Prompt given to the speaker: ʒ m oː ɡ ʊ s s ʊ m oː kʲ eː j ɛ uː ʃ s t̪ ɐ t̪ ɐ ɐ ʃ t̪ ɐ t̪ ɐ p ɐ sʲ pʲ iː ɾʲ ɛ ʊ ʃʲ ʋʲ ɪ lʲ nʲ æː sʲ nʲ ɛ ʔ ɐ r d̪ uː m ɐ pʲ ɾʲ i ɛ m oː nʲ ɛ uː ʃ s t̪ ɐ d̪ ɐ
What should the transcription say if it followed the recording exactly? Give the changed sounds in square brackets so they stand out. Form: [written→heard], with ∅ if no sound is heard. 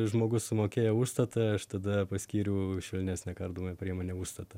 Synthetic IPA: ʒ m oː ɡ ʊ s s ʊ m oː kʲ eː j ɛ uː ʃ s t̪ ɐ t̪ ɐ ɐ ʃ t̪ ɐ [t̪→d̪] ɐ p ɐ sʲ [pʲ→kʲ] iː ɾʲ ɛ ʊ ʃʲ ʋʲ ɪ lʲ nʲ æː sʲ nʲ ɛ [ʔ→k] ɐ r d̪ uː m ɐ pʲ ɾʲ i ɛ m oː nʲ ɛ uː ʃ s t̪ ɐ [d̪→t̪] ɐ

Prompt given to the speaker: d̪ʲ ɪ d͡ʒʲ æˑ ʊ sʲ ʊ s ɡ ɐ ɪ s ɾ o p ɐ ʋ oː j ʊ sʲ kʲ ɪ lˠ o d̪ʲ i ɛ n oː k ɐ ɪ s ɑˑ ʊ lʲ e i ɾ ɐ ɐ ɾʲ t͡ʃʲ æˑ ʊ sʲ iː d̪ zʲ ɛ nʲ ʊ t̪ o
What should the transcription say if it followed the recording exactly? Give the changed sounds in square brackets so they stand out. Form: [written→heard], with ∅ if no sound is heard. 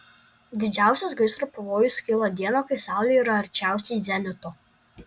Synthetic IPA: d̪ʲ ɪ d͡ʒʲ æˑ ʊ sʲ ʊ s ɡ ɐ ɪ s ɾ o p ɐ ʋ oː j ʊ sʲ kʲ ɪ lˠ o d̪ʲ i ɛ n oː k ɐ ɪ s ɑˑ ʊ lʲ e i ɾ ɐ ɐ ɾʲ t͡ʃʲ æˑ ʊ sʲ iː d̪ zʲ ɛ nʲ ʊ t̪ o

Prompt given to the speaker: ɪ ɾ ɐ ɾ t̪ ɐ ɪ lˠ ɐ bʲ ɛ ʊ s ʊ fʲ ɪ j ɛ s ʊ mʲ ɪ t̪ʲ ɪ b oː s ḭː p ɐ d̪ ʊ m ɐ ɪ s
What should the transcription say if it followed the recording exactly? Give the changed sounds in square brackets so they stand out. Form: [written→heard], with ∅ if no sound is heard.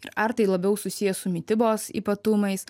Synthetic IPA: ɪ ɾ ɐ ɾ t̪ ɐ ɪ lˠ ɐ bʲ ɛ ʊ s ʊ [fʲ→sʲ] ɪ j ɛ s ʊ mʲ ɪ t̪ʲ ɪ b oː s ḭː p ɐ [d̪→t̪] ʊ m ɐ ɪ s

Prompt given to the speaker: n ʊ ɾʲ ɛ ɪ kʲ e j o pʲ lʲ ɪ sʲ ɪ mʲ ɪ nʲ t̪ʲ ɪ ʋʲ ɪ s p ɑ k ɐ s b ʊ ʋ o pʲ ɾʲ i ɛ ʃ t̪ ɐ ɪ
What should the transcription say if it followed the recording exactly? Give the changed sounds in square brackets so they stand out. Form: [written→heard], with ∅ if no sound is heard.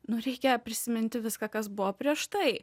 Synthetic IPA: n ʊ ɾʲ ɛ ɪ kʲ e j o pʲ [lʲ→ɾʲ] ɪ sʲ ɪ mʲ ɪ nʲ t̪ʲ ɪ ʋʲ ɪ s [p→k] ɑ k ɐ s b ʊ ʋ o pʲ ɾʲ i ɛ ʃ t̪ ɐ ɪ

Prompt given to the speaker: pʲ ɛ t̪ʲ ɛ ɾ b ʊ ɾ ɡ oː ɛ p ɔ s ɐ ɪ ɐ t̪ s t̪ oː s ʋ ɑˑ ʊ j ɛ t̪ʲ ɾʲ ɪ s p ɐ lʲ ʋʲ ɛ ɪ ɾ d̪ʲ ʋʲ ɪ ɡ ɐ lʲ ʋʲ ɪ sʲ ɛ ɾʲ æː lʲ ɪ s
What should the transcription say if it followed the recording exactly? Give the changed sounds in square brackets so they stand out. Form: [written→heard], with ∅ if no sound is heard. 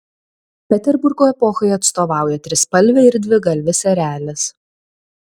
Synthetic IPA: pʲ ɛ t̪ʲ ɛ ɾ b ʊ ɾ ɡ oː ɛ p ɔ [s→x] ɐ ɪ ɐ t̪ s t̪ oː [s→∅] ʋ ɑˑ ʊ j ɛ t̪ʲ ɾʲ ɪ s p ɐ lʲ ʋʲ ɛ ɪ ɾ d̪ʲ ʋʲ ɪ ɡ ɐ lʲ ʋʲ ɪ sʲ ɛ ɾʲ æː lʲ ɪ s

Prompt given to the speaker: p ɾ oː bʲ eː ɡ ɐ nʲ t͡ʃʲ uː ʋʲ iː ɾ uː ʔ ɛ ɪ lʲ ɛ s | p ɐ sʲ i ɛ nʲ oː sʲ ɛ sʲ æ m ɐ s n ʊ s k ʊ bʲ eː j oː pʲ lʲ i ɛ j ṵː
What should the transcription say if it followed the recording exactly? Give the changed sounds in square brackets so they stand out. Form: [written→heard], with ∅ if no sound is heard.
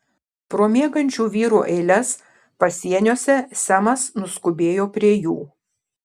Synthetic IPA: p ɾ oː [bʲ→mʲ] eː ɡ ɐ nʲ t͡ʃʲ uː ʋʲ iː ɾ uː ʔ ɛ ɪ lʲ ɛ s | p ɐ sʲ i ɛ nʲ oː sʲ ɛ sʲ æ m ɐ s n ʊ s k ʊ bʲ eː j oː pʲ [lʲ→ɾʲ] i ɛ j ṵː

